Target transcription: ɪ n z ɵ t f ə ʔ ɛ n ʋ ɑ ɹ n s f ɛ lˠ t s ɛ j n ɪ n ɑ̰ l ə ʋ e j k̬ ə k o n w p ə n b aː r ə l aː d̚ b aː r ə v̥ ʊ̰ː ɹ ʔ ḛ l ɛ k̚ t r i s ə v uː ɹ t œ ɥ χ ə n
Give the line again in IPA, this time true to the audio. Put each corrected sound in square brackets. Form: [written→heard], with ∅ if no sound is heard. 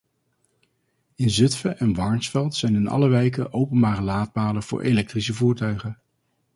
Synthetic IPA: ɪ n z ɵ t f ə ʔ ɛ n ʋ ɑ ɹ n s f ɛ lˠ t s ɛ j n ɪ n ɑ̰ l ə ʋ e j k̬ ə [k→ʔ] o [n→∅] w p ə n b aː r ə l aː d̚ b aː [r→l] ə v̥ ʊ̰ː ɹ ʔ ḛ l ɛ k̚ t r i s ə v uː ɹ t œ ɥ χ ə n